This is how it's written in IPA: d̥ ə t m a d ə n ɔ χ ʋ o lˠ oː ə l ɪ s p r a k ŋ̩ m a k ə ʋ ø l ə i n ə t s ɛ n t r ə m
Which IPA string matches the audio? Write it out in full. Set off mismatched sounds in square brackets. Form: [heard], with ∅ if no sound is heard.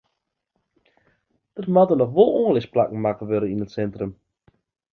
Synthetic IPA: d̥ ə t m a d ə n ɔ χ ʋ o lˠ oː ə l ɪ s p [l] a k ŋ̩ m a k ə ʋ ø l ə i n ə t s ɛ n t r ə m

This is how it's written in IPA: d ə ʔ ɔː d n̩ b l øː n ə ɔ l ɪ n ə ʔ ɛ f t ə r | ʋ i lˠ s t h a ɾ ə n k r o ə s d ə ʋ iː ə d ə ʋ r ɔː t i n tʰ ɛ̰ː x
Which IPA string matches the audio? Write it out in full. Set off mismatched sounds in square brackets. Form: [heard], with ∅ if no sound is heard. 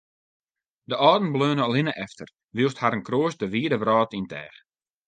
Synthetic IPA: d ə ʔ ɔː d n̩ b l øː n ə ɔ l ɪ n ə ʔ ɛ f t ə r | ʋ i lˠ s t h a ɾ ə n k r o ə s d ə ʋ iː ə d ə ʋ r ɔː t i n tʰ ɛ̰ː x

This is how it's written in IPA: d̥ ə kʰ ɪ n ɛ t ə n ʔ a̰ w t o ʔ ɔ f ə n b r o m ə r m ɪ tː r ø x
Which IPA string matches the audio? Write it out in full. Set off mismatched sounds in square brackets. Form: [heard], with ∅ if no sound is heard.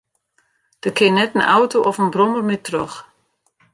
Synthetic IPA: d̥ ə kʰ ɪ n ɛ t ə n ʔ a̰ w t o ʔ ɔ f ə n b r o m ə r m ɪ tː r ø x

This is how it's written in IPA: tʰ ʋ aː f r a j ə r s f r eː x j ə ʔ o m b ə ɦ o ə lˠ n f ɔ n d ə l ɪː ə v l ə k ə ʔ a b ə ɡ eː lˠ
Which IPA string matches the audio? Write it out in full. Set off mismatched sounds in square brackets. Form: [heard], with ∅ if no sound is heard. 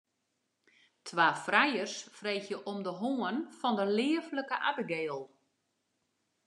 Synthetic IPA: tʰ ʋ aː f r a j ə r s f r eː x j ə ʔ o m [d] ə ɦ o ə [∅] n f ɔ n d ə l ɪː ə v l ə k ə ʔ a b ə ɡ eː lˠ

